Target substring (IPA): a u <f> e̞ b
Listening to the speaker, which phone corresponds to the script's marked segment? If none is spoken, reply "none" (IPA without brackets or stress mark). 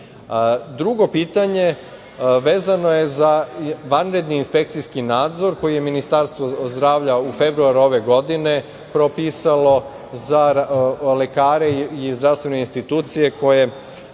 f